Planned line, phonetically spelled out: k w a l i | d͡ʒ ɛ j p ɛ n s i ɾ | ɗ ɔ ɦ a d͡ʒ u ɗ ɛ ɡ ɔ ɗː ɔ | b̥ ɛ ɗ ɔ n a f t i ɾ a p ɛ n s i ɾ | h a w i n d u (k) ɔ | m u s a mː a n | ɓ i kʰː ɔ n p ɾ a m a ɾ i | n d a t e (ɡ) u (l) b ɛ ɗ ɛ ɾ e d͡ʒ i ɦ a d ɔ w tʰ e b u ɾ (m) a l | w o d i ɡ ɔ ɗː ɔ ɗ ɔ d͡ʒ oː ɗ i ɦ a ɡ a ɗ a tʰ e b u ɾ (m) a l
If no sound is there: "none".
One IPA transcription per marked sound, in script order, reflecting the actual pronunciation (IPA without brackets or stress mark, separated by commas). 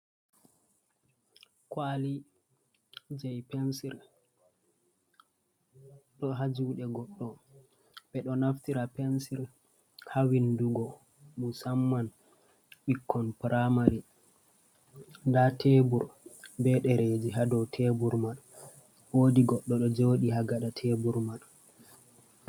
ɡ, b, ɾ, m, m